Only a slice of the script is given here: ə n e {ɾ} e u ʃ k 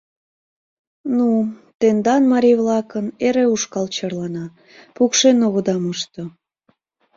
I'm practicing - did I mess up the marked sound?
no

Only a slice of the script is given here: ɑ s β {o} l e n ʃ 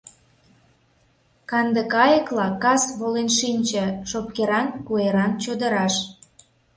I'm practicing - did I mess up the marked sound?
no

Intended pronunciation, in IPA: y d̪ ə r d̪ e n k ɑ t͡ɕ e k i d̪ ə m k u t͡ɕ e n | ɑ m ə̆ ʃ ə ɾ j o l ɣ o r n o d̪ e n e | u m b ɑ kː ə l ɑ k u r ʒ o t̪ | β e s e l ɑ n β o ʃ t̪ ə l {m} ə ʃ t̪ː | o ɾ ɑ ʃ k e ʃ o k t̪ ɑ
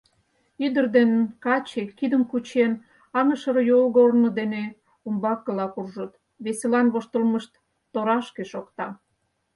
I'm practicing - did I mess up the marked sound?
no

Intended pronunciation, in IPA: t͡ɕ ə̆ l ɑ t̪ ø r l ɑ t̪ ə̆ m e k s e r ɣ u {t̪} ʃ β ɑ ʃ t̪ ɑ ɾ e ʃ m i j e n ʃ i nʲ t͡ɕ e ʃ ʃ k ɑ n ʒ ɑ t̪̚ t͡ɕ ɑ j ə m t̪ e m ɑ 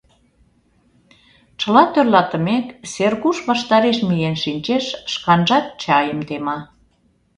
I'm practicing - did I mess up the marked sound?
yes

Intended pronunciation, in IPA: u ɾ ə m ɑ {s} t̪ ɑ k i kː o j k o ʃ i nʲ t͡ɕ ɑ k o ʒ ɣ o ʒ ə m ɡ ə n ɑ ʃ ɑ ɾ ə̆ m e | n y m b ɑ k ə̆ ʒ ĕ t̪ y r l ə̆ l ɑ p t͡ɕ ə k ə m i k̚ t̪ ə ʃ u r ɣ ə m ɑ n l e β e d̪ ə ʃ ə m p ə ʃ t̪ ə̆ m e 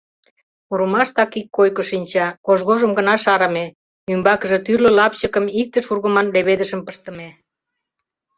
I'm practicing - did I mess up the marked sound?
yes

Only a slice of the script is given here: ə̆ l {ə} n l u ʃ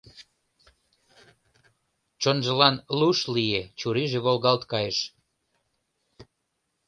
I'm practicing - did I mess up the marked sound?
yes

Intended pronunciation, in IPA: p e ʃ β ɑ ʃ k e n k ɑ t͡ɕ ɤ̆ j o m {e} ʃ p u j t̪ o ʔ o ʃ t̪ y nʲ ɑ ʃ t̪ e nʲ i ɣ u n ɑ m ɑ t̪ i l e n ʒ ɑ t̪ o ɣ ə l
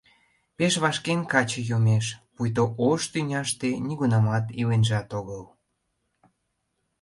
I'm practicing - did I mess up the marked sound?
no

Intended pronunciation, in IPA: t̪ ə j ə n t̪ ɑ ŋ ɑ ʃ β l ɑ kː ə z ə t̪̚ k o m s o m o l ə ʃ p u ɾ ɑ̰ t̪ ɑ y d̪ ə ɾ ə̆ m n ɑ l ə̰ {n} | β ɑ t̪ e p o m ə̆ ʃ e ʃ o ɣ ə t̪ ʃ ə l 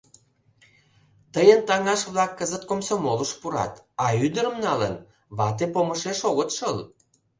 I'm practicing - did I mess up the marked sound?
no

